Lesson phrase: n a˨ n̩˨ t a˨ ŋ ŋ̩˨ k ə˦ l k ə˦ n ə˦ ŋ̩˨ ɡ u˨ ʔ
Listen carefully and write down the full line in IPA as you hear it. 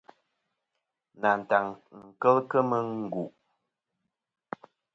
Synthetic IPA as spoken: n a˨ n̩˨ t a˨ ŋ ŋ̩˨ k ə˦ l k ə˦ m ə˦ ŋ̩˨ ɡ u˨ ʔ